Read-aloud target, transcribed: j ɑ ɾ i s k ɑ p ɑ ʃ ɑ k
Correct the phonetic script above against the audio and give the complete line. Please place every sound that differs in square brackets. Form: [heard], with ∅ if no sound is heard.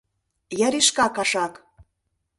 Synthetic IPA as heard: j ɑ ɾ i [ʃ] k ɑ [k] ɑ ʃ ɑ k